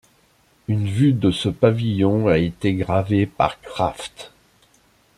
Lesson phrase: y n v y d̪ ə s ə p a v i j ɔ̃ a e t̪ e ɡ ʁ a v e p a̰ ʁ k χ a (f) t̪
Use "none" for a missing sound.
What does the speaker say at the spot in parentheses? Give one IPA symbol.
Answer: f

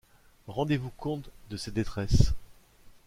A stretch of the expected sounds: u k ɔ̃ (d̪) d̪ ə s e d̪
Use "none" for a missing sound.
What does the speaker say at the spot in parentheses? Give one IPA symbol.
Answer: t̪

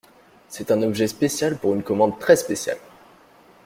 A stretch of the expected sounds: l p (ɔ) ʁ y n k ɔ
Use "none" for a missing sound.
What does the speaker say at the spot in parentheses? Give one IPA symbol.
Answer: u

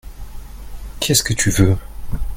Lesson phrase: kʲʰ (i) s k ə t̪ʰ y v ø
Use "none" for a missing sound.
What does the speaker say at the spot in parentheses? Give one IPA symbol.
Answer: ɛ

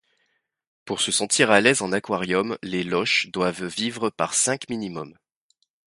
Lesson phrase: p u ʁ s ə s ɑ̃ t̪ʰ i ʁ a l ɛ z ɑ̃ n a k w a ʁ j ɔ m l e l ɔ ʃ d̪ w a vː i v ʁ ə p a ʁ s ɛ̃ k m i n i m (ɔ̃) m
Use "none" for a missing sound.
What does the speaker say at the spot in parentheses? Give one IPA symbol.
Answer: ɔ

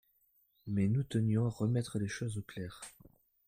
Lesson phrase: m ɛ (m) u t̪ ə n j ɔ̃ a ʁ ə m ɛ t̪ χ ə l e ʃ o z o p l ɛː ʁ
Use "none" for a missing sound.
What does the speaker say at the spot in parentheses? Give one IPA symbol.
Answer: n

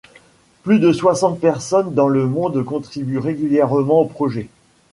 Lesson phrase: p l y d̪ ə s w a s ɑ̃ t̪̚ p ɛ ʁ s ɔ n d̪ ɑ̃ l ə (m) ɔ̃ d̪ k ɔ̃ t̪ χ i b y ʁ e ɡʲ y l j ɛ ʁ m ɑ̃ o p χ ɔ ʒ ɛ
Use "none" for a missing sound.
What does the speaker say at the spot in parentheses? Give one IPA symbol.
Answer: m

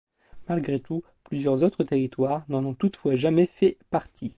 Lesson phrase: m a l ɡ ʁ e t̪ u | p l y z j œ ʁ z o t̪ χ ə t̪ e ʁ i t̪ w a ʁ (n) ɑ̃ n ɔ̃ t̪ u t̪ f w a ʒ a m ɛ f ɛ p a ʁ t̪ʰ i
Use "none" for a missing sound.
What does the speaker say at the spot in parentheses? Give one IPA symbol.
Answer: n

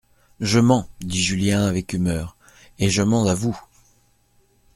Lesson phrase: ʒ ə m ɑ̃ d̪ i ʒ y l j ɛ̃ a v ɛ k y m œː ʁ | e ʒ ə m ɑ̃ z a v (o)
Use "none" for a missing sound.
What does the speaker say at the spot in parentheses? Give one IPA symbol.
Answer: u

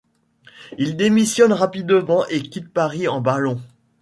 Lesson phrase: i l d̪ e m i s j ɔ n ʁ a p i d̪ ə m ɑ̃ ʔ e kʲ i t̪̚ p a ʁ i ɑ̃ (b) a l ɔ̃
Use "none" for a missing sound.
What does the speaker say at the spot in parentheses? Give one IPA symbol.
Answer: b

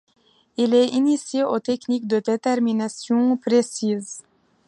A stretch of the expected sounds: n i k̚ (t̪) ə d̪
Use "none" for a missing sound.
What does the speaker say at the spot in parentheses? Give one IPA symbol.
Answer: d̪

